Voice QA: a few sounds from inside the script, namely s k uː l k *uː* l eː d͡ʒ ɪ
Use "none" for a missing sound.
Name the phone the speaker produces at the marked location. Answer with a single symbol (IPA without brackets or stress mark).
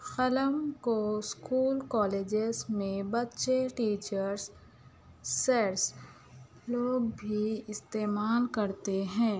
ɔː